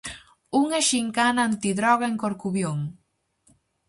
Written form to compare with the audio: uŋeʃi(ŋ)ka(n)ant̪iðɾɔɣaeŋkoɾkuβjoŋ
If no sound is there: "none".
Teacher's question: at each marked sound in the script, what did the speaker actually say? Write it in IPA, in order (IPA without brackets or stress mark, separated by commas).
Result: ŋ, n